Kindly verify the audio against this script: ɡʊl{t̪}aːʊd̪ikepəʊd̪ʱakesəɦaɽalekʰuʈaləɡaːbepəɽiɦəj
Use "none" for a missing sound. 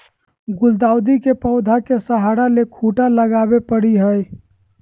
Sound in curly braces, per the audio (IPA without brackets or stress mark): d̪